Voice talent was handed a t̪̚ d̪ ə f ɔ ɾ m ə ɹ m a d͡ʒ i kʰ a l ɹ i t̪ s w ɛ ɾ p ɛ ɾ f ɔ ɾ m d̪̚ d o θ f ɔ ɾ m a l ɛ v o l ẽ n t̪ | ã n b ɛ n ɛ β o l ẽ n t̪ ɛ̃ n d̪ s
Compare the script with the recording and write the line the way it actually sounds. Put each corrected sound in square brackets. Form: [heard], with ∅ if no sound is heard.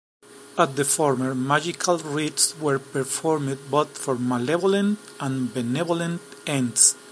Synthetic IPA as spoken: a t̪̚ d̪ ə f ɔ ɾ m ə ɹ m a d͡ʒ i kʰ a l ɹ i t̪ s w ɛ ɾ p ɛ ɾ f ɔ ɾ m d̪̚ [b] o θ f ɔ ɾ m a l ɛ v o l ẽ n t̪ | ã n b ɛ n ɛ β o l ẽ n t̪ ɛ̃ n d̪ s